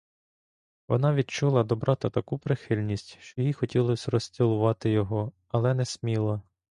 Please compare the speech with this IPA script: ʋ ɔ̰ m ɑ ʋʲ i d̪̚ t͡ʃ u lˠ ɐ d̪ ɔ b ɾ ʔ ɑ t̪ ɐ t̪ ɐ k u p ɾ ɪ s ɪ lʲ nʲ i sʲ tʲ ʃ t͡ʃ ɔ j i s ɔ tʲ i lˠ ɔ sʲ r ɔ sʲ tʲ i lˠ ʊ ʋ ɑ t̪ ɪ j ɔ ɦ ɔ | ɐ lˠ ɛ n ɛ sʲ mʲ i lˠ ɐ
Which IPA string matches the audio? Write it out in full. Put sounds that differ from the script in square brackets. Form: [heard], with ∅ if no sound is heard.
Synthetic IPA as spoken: ʋ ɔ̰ [n] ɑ ʋʲ i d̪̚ t͡ʃ u lˠ ɐ d̪ ɔ b ɾ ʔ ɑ t̪ ɐ t̪ ɐ k u p ɾ ɪ [x] ɪ lʲ nʲ i sʲ tʲ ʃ t͡ʃ ɔ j i [x] ɔ tʲ i lˠ ɔ sʲ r ɔ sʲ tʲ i lˠ ʊ ʋ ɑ t̪ ɪ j ɔ ɦ ɔ | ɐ lˠ ɛ n ɛ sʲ mʲ i lˠ ɐ